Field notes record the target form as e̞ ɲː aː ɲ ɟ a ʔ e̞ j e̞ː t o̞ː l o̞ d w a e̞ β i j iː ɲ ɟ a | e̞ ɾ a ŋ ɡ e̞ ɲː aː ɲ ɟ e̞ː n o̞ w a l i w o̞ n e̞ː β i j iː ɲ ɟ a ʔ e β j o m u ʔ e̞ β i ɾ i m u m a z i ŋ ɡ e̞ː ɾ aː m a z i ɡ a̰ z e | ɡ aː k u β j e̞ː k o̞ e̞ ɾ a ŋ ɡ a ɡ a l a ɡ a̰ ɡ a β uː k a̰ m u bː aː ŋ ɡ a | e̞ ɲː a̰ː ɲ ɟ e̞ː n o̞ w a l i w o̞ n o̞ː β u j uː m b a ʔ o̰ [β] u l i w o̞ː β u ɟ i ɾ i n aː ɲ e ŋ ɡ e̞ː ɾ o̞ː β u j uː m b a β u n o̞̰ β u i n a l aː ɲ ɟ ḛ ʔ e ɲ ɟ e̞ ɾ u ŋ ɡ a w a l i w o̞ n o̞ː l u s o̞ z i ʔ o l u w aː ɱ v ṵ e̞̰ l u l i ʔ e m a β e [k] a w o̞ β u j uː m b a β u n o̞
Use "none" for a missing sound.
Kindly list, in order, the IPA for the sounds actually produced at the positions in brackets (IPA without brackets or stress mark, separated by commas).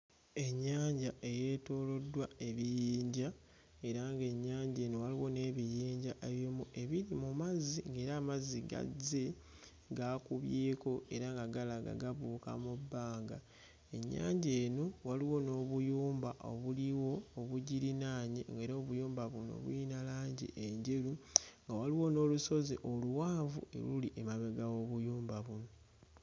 β, ɡ